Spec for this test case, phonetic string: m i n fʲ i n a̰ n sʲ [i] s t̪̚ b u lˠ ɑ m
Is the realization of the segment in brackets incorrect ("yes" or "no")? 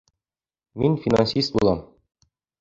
no